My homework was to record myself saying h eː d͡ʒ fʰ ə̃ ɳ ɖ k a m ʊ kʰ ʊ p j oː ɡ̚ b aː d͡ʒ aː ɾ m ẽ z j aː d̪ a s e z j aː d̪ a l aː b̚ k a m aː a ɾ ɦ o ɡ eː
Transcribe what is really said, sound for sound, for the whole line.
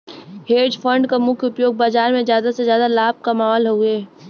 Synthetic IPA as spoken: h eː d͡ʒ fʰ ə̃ ɳ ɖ k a m ʊ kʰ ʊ p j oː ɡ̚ b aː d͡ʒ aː ɾ m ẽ z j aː d̪ a s e z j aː d̪ a l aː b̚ k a m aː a l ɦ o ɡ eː